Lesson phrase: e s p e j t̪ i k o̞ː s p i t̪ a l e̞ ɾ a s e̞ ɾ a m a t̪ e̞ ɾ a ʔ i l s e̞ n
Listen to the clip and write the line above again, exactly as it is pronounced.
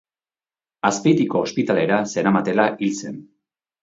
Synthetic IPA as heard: a s p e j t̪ i k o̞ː s p i t̪ a l e̞ ɾ a s e̞ ɾ a m a t̪ e̞ l a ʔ i l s e̞ n

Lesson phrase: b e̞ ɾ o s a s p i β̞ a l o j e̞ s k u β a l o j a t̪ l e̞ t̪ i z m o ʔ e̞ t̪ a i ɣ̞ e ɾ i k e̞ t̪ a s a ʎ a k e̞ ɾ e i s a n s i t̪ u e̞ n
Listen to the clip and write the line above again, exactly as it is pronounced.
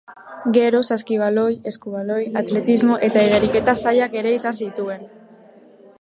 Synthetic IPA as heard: ɡ e̞ ɾ o s a s k i β̞ a l o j e̞ s k u β a l o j a t̪ l e̞ t̪ i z m o ʔ e̞ t̪ a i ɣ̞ e ɾ i k e̞ t̪ a s a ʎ a k e̞ ɾ e i s a n s i t̪ u e̞ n

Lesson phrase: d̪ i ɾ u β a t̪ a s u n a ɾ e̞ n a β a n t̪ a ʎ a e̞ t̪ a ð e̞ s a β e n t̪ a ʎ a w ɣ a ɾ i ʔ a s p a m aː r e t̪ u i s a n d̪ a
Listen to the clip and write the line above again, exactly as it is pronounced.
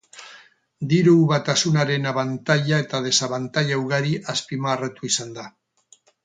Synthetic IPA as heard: d̪ i ɾ u β a t̪ a s u n a ɾ e̞ n a β a n t̪ a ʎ a e̞ t̪ a ð e̞ s a β a n t̪ a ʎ a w ɣ a ɾ i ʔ a s p i m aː r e t̪ u i s a n d̪ a

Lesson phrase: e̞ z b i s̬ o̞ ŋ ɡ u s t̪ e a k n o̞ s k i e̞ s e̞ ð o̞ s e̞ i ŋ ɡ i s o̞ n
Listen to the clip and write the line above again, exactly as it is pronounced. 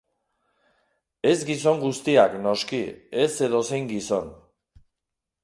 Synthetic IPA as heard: e̞ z ɡ i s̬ o̞ ŋ ɡ u s t̪ i a k n o̞ s k i e̞ s e̞ ð o̞ s e̞ j ŋ ɡ i s o̞ n

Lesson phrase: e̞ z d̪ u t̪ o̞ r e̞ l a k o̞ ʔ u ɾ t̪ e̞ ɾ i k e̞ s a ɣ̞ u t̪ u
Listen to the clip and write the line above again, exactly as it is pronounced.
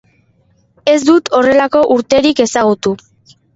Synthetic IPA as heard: e̞ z d̪ u t̪ o̞ r e̞ l a k o̞ ʔ u ɾ t̪ e̞ ɾ i k e̞ s a ɣ̞ u t̪ u

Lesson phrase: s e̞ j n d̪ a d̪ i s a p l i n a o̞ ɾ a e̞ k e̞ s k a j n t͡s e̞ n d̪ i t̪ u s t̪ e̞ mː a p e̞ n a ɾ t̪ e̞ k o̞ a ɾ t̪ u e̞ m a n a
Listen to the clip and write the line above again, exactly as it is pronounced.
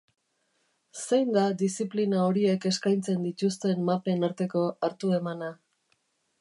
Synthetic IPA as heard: s e̞ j n d̪ a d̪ i s i p l i n a o̞ ɾ i e̞ k e̞ s k a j n t͡s e̞ n d̪ i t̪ u s t̪ e̞ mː a p e̞ n a ɾ t̪ e̞ k o̞ a ɾ t̪ u e̞ m a n a

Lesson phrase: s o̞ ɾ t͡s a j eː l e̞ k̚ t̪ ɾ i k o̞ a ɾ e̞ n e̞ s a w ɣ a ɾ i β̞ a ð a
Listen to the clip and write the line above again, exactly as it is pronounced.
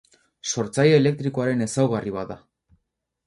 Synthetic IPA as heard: s o̞ ɾ t͡s a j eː l e̞ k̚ t̪ ɾ i k o̞ a ɾ e̞ n e̞ s a w ɣ a r i β̞ a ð a

